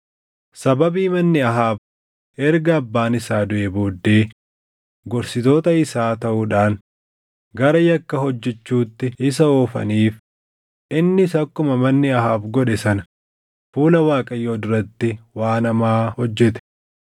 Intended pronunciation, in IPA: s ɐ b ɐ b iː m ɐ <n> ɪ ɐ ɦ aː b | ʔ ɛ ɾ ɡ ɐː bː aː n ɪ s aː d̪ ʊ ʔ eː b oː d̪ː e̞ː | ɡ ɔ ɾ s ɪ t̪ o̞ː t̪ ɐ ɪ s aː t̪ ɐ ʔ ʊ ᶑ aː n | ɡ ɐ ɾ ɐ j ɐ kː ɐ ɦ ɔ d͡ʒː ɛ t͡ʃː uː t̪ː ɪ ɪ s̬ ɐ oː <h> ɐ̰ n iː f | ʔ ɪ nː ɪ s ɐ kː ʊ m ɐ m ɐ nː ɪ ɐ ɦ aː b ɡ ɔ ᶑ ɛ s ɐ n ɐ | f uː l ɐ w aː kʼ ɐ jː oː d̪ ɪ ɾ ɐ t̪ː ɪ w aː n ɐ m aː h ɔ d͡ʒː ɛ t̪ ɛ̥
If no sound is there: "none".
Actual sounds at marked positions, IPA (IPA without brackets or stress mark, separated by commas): nː, f